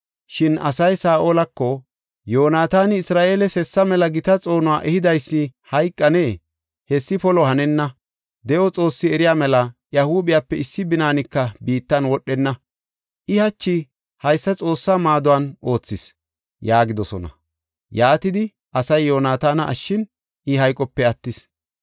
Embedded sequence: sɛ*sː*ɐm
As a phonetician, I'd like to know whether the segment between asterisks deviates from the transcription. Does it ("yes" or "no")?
no